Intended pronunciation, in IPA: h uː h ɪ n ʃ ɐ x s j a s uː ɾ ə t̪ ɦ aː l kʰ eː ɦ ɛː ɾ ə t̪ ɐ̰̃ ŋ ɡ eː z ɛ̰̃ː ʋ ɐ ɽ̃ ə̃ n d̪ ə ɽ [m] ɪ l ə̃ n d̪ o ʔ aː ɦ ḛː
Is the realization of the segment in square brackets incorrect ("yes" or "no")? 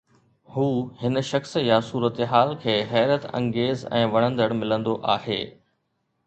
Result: no